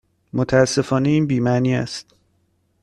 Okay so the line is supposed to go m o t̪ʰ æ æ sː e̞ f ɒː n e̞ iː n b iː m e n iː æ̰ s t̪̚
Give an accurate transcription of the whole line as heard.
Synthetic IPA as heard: m o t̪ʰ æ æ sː e̞ f ɒː n e̞ iː n b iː m æ n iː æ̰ s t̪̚